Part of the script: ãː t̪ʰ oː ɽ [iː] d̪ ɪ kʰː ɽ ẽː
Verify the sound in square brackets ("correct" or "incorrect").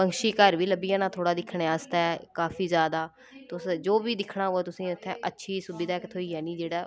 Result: incorrect